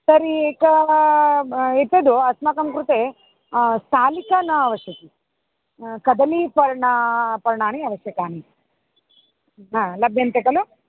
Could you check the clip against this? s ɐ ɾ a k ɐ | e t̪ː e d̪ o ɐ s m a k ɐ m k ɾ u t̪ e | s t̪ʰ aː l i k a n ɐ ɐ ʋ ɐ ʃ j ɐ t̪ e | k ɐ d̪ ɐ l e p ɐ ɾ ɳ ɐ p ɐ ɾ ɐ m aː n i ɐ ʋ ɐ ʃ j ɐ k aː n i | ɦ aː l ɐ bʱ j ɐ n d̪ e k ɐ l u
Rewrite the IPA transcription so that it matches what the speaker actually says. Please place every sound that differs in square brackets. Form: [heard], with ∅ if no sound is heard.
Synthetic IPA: s ɐ ɾ [i] k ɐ | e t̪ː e d̪ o ɐ s m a k ɐ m k ɾ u t̪ e | s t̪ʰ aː l i k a n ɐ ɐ ʋ ɐ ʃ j ɐ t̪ [i] | k ɐ d̪ ɐ l [i] p ɐ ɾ ɳ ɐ p ɐ ɾ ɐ [ɳ] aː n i ɐ ʋ ɐ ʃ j ɐ k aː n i | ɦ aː l ɐ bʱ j ɐ n [t̪] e k ɐ l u